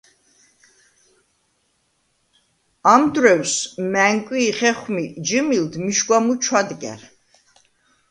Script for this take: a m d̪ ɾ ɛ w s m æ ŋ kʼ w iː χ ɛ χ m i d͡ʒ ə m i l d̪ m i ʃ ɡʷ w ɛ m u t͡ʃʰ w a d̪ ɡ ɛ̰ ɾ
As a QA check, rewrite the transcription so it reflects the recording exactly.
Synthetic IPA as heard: a m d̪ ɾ ɛ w s m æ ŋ kʼ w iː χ ɛ χ m i d͡ʒ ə m i l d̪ m i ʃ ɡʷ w a m u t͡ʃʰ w a d̪ ɡ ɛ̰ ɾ